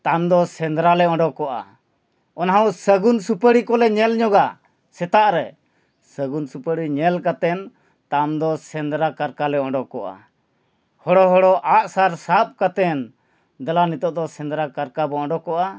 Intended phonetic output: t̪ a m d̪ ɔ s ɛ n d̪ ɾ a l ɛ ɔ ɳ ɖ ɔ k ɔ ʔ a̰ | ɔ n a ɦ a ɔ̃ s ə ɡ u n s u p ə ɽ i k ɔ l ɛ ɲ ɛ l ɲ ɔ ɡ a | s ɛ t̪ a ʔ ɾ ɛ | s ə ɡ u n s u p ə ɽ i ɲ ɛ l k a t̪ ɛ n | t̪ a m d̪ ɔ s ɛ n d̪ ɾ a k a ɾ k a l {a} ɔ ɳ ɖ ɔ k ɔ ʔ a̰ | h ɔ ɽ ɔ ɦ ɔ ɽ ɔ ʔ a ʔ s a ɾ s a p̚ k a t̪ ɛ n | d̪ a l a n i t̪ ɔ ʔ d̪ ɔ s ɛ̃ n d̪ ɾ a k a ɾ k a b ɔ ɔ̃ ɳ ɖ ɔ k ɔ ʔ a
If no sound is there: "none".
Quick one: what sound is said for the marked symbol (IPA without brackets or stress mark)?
ɛ